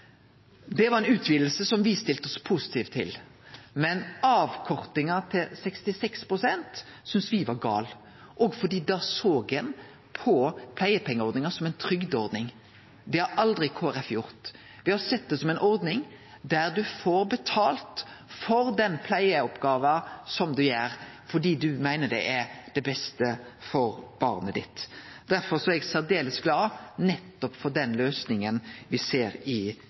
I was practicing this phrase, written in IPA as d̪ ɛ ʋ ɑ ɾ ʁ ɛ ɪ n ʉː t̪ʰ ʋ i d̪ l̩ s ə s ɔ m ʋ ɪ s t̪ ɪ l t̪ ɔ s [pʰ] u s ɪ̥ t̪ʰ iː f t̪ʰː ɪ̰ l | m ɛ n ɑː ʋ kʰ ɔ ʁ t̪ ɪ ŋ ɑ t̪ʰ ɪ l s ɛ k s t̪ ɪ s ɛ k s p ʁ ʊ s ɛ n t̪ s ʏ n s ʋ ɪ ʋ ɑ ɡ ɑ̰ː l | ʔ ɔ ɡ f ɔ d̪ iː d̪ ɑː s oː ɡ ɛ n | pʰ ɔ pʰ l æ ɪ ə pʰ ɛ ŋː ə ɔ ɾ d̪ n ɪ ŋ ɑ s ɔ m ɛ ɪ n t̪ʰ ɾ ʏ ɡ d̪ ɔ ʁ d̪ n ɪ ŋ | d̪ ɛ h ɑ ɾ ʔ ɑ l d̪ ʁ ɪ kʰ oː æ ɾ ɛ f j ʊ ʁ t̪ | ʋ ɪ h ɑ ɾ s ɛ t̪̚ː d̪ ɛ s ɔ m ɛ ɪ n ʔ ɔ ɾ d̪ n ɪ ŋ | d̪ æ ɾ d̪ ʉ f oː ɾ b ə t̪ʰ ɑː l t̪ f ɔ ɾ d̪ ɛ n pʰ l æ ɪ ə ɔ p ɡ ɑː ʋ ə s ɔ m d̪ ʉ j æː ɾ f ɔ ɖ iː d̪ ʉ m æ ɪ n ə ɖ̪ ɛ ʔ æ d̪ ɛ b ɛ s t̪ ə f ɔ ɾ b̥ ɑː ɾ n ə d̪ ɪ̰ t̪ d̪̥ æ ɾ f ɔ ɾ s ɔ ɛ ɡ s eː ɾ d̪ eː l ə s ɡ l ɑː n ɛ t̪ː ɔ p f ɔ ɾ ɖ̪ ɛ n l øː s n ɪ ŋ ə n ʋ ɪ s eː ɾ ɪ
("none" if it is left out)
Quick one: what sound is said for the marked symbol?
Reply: pʰ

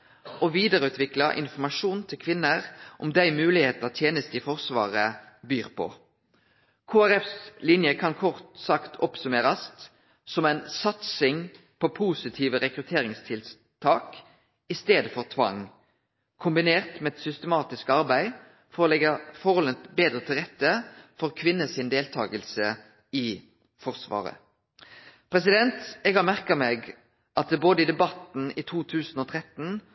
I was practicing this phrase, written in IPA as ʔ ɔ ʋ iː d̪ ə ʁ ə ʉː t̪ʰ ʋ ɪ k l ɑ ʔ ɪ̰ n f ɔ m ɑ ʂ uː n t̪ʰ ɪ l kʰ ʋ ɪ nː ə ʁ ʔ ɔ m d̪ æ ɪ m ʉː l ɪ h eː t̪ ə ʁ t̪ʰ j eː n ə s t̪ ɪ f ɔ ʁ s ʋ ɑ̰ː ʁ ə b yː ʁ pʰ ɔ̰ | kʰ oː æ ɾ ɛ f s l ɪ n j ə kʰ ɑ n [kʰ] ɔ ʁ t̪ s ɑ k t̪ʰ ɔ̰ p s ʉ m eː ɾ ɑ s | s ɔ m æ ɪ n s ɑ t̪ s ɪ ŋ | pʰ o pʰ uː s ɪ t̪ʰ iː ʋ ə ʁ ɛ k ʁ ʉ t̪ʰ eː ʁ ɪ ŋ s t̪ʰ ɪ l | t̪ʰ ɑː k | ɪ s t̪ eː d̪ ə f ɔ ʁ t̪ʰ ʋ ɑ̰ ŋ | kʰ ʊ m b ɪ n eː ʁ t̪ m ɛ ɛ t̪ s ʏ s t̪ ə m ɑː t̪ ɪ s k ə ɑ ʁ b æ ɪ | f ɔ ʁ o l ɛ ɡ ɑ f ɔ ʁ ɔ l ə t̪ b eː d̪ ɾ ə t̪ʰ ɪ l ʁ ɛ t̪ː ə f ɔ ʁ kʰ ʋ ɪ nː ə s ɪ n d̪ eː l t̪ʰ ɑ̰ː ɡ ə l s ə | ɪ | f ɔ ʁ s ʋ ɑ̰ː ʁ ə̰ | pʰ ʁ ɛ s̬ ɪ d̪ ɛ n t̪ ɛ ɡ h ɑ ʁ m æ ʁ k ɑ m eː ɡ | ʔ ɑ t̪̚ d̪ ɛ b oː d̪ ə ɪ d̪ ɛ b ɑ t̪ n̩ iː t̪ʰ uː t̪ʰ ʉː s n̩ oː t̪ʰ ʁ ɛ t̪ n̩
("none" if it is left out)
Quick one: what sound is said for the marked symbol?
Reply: kʰ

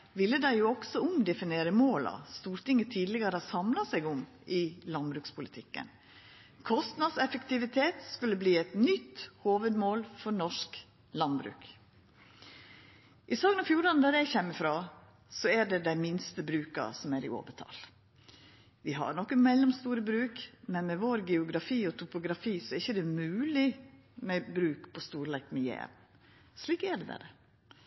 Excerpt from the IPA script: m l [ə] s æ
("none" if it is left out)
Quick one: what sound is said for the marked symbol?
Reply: ɑ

